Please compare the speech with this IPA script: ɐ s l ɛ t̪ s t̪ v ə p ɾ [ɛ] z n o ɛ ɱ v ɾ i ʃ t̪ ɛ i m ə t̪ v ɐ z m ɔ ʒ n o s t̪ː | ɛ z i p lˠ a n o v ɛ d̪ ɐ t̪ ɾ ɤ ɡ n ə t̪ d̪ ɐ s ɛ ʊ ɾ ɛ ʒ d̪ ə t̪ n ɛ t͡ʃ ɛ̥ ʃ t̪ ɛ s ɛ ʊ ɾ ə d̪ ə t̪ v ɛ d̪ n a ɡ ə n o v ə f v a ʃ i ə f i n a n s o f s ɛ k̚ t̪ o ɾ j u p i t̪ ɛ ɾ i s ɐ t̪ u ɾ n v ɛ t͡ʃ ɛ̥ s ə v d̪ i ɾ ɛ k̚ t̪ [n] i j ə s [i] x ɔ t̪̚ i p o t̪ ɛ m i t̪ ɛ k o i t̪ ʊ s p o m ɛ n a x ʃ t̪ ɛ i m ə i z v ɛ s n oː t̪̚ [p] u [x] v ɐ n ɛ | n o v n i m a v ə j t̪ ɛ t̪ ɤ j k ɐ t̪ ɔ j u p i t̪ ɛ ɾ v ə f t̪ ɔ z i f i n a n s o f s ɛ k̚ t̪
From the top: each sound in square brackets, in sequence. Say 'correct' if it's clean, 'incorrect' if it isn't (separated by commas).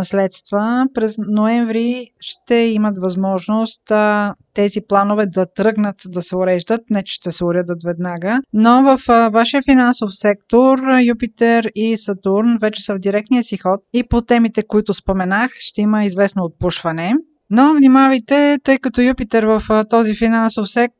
correct, correct, correct, correct, incorrect